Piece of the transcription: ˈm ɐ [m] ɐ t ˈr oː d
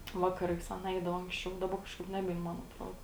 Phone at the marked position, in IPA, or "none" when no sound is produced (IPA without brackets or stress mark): n